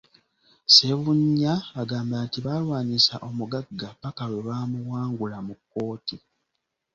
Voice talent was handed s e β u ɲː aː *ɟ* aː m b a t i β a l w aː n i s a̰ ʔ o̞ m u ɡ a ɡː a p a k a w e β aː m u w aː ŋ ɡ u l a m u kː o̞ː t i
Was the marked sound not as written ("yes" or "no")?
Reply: yes